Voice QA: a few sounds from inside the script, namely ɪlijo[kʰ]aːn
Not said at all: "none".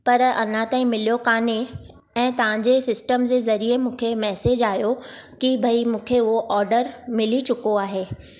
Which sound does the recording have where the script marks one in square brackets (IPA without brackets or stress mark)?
k